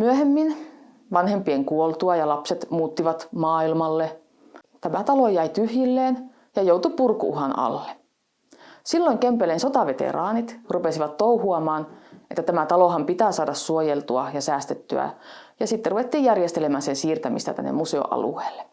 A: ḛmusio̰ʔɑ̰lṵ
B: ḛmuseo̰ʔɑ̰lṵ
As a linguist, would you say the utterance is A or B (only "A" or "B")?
B